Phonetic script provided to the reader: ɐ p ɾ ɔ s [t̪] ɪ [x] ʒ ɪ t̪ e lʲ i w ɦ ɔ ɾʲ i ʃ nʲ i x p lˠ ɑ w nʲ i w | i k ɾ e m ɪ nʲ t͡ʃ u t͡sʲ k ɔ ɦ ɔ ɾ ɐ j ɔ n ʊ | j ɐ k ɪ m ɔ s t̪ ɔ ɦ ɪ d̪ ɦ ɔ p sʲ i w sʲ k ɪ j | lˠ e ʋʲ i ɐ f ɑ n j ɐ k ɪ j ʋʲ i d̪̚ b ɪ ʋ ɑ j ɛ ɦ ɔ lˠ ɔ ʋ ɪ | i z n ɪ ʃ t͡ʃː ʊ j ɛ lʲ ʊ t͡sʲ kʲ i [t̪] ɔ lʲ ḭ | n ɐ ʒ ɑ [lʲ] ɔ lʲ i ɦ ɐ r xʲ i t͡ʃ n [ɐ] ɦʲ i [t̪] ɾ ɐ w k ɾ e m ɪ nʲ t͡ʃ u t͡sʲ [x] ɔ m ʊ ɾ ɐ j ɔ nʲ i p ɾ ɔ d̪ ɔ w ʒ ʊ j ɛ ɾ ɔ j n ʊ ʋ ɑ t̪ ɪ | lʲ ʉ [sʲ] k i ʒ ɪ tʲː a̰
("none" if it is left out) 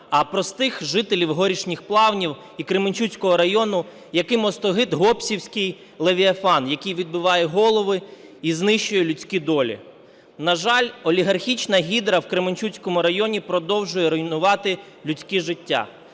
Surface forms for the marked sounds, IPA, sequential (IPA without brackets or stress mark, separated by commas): t̪, x, d̪, lʲ, ɐ, d̪, k, t͡sʲ